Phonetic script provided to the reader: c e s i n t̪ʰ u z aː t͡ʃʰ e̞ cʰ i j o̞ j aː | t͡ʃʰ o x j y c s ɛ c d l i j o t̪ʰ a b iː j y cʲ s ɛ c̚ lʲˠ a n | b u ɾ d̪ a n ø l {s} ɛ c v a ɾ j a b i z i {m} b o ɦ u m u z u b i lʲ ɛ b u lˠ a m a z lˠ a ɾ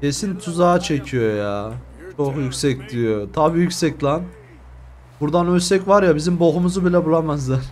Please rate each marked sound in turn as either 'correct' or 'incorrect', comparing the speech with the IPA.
correct, correct

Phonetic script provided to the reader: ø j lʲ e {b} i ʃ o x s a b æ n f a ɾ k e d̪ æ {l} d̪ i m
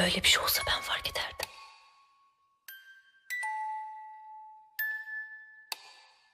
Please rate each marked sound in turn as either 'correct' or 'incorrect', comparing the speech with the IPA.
correct, incorrect

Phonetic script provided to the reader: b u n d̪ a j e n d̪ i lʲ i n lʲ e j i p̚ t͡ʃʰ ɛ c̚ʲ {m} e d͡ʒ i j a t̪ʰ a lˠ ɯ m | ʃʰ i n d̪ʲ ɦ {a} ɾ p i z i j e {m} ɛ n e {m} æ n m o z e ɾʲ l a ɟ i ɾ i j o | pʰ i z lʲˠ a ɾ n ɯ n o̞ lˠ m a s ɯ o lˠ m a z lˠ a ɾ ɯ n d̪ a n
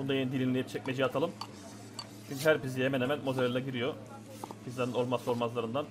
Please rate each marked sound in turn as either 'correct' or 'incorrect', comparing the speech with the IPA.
correct, incorrect, correct, correct

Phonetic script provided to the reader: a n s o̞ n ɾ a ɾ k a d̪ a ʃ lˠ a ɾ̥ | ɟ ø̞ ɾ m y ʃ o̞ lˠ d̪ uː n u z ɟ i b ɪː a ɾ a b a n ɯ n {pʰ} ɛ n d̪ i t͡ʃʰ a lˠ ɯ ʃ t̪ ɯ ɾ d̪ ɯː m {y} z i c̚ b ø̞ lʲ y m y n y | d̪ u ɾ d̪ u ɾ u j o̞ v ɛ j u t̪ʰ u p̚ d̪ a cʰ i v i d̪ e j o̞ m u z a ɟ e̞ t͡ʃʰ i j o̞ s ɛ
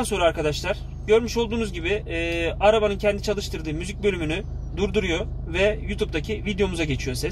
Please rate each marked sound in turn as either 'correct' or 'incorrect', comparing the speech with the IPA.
incorrect, correct

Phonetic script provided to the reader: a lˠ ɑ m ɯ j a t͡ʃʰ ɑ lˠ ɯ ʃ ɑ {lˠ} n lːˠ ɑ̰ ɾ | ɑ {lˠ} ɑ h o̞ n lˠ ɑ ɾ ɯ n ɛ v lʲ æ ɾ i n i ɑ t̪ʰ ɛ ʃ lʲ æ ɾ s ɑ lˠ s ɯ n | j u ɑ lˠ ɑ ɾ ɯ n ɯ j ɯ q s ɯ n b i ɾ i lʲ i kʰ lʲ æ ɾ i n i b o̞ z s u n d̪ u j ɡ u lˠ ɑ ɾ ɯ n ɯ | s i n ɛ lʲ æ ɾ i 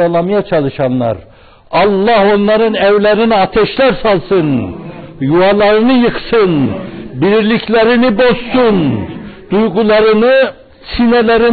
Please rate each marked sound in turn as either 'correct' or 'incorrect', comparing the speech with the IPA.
incorrect, incorrect

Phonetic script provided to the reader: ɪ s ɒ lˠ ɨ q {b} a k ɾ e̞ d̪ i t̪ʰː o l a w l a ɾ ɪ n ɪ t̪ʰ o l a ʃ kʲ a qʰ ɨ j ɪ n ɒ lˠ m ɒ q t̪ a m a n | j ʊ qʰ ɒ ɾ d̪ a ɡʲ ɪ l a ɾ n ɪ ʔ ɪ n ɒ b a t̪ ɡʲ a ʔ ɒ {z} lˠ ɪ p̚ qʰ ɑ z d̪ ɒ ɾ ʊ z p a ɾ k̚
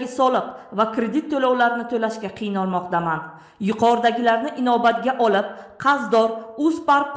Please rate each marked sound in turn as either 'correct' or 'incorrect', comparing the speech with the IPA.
incorrect, incorrect

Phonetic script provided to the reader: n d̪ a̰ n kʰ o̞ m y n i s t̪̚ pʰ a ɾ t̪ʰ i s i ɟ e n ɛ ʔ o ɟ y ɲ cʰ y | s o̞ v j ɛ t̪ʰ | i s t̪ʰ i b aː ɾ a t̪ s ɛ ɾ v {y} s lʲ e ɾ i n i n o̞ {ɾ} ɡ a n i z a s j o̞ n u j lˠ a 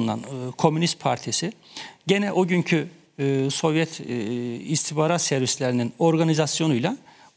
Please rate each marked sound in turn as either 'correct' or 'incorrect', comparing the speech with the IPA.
incorrect, correct

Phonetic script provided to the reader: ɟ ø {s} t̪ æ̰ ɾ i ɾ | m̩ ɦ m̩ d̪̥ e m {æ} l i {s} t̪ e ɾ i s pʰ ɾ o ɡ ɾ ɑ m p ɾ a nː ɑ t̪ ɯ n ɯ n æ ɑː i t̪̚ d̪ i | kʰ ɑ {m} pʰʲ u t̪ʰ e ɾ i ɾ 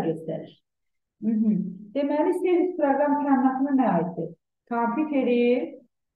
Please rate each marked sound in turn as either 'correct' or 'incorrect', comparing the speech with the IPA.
correct, correct, correct, correct

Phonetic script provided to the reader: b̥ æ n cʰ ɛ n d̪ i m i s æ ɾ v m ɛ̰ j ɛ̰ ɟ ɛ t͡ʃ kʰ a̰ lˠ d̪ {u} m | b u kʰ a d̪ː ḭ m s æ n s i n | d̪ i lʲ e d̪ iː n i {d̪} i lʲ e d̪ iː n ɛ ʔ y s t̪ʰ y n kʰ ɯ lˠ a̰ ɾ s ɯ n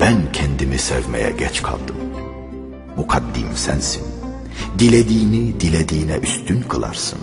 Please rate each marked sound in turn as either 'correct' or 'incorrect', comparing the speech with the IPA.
incorrect, correct

